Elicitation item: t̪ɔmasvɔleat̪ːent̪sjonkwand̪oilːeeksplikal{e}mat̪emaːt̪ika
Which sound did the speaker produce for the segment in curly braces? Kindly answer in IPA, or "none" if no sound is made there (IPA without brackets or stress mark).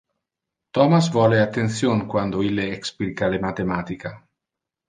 e